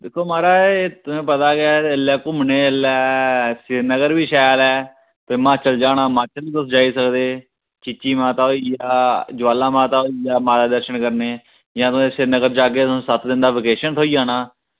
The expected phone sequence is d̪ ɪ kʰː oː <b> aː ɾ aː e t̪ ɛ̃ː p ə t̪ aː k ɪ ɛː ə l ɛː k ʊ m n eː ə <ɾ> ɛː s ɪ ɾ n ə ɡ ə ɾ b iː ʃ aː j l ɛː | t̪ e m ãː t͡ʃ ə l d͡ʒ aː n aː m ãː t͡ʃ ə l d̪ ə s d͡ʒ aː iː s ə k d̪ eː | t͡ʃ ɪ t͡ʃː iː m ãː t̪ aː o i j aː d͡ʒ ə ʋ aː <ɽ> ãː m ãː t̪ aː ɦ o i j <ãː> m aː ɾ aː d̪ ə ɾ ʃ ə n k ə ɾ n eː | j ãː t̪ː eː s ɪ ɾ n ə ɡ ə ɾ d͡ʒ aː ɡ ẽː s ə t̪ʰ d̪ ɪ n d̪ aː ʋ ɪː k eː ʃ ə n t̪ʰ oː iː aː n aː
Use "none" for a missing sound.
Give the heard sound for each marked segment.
m, l, l, aː

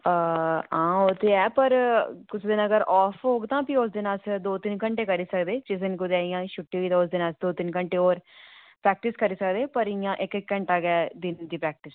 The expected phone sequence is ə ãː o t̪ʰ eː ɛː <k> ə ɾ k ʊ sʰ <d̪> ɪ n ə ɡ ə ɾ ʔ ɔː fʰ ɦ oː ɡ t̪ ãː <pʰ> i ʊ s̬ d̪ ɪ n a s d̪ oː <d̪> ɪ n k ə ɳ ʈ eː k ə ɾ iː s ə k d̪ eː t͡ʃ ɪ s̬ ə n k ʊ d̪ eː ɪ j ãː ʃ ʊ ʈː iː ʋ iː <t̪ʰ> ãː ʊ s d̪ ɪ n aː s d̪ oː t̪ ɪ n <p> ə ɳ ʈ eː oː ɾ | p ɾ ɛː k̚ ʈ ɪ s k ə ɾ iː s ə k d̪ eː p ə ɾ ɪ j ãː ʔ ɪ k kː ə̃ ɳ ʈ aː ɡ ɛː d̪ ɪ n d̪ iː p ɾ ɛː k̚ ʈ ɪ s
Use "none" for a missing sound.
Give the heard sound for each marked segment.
p, d̪, p, t̪, t̪, k

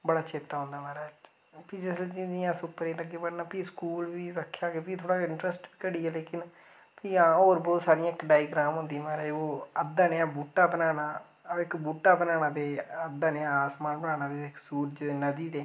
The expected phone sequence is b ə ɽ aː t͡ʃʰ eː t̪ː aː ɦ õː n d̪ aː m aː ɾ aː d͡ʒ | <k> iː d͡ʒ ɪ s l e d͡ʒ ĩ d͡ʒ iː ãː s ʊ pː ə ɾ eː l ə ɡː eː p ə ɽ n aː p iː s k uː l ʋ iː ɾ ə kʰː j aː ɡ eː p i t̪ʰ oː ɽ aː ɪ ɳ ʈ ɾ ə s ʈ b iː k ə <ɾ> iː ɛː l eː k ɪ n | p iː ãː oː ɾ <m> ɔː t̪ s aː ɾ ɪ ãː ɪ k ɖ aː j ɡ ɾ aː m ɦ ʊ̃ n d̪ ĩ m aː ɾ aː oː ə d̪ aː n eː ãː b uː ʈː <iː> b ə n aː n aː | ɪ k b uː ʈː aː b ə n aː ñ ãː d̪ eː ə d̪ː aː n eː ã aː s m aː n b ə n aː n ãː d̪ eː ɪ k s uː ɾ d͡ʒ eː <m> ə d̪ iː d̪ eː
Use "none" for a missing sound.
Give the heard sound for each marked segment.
p, ɽ, b, aː, n

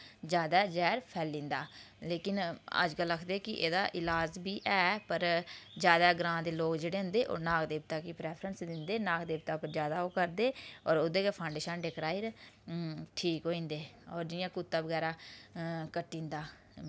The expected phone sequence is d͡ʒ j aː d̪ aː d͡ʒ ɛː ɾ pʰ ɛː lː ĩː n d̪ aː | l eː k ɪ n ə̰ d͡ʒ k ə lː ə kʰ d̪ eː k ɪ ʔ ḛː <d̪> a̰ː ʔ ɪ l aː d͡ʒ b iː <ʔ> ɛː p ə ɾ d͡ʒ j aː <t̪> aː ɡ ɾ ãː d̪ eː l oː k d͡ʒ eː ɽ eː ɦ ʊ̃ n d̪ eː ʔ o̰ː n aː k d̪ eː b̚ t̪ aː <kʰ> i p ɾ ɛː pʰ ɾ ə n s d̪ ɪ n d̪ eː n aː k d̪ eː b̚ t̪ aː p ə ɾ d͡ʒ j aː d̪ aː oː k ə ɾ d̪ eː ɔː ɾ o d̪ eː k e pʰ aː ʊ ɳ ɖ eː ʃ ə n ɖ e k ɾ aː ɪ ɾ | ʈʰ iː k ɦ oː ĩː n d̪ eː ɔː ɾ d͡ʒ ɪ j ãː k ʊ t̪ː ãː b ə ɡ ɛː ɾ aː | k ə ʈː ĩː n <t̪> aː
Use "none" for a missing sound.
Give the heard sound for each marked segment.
d̪, ʔ, d̪, k, d̪

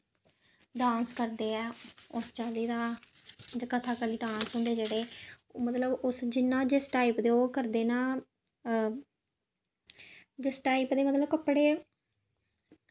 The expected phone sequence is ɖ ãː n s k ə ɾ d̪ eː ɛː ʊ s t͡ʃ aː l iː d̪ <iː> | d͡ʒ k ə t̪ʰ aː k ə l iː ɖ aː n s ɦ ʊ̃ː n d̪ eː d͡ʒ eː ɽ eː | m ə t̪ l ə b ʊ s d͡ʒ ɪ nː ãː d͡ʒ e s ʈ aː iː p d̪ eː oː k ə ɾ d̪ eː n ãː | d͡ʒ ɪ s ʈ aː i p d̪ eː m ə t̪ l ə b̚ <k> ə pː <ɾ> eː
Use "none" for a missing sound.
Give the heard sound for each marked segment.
aː, k, ɽ

